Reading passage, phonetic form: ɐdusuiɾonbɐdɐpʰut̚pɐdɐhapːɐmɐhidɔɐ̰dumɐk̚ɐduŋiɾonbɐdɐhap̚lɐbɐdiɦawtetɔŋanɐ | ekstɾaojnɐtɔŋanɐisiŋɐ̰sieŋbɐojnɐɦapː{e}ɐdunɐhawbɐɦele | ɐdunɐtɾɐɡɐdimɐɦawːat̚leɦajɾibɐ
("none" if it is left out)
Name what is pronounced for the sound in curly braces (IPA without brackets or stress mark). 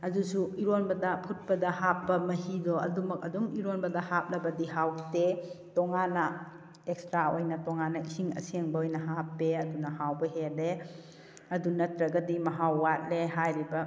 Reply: e